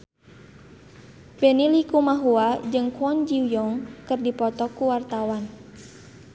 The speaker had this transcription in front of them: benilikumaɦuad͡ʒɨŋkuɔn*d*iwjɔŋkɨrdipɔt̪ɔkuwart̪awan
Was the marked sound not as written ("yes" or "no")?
yes